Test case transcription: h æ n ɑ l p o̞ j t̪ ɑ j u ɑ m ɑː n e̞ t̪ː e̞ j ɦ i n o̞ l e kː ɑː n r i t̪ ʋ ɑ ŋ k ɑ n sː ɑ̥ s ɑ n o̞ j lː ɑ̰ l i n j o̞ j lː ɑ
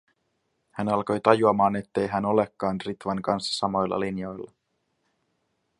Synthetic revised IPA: h æ n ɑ l k o̞ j t̪ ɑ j u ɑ m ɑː n e̞ t̪ː e̞ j ɦ æ n o̞ l e kː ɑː n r i t̪ ʋ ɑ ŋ k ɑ n sː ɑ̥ s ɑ m o̞ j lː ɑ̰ l i n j o̞ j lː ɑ